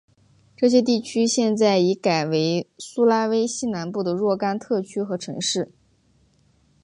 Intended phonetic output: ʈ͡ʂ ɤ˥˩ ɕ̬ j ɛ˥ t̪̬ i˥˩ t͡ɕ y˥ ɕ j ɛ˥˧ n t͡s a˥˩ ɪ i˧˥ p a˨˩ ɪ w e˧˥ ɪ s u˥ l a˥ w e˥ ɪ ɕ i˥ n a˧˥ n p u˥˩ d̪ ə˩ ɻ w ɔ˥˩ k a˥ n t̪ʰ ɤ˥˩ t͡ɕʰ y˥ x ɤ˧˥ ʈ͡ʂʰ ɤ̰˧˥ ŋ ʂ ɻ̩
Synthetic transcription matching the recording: ʈ͡ʂ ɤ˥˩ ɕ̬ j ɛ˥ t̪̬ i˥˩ t͡ɕʰ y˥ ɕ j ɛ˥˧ n t͡s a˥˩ ɪ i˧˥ k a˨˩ ɪ w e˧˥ ɪ s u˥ l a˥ w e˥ ɪ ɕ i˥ n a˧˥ n p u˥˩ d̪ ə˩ ɻ w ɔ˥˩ k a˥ n t̪ʰ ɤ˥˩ t͡ɕʰ y˥ x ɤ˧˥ ʈ͡ʂʰ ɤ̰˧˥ ŋ ʂ ɻ̩